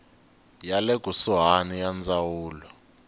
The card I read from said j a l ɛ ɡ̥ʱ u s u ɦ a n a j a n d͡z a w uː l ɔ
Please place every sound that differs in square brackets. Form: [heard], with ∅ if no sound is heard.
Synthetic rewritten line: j a l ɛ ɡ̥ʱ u s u ɦ a n [i] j a n d͡z a w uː l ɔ